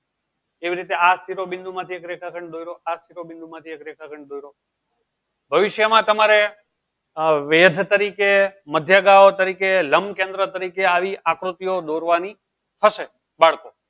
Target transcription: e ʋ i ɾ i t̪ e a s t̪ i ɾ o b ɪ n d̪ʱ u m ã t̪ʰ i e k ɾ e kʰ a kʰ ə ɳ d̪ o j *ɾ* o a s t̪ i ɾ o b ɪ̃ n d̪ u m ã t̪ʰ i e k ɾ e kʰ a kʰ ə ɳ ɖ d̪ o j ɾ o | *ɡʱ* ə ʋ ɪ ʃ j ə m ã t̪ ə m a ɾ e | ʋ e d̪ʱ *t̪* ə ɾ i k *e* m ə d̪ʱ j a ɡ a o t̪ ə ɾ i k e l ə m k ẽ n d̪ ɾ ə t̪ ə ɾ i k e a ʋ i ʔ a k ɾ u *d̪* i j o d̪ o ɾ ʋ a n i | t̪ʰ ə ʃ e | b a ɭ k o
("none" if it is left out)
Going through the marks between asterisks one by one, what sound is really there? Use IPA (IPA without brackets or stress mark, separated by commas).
ɾ, bʱ, t̪, e, t̪